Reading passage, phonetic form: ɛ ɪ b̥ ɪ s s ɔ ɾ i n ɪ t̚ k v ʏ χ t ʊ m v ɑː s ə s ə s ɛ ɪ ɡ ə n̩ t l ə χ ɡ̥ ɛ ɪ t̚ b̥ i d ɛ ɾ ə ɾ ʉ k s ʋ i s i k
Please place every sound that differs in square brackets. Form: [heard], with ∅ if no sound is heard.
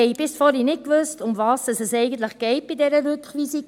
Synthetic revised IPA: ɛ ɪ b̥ ɪ s [f] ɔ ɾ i n ɪ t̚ k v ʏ [s] t ʊ m v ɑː s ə s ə s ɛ ɪ ɡ ə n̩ t l ə χ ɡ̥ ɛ ɪ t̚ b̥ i d ɛ ɾ ə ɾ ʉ k [χ] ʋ i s i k